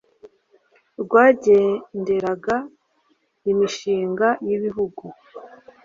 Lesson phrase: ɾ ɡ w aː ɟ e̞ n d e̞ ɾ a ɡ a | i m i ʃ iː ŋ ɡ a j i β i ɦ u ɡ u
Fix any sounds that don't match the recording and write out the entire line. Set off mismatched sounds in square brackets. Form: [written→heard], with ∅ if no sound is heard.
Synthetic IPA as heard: ɾ ɡ w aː ɟ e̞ n d e̞ ɾ a ɡ a | i m i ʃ iː ŋ ɡ a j i β i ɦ u ɡ u